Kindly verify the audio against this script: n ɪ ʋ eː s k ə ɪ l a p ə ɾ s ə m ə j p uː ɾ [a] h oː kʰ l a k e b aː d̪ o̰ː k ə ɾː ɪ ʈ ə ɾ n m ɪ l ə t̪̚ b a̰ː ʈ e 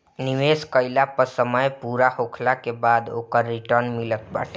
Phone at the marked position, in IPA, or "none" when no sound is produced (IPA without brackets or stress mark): a